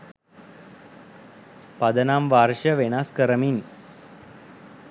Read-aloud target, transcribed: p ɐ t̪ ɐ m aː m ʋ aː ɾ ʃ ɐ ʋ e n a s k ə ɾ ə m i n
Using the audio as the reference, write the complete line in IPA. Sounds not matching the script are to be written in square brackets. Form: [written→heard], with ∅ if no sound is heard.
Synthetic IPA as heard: p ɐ [t̪→d̪] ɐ [m→n] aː m ʋ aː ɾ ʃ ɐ ʋ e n a s k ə ɾ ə m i n